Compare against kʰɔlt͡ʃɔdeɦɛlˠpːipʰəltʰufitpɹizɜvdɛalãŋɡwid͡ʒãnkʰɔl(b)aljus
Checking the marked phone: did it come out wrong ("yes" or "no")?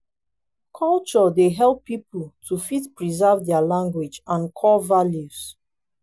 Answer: yes